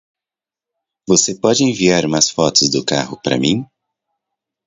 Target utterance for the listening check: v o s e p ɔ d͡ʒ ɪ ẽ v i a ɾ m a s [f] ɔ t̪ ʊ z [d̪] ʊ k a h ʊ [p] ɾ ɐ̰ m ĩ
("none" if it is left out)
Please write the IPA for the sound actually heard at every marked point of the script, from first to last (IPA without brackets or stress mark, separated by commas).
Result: f, d̪, p